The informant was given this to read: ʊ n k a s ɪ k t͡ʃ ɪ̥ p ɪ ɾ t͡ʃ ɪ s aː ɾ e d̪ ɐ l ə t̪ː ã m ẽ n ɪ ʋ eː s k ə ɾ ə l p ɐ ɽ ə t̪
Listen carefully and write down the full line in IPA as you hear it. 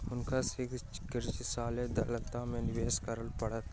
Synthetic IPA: ʊ n k a s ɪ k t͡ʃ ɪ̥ k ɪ ɾ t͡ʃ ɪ s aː l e d̪ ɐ l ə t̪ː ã m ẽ n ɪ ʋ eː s k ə ɾ ə l p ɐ ɽ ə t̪